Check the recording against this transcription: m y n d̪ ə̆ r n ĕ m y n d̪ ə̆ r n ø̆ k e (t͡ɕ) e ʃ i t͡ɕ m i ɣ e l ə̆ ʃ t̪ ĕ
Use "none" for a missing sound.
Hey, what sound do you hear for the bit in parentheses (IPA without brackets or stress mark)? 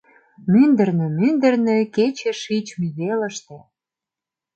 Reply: t͡ɕ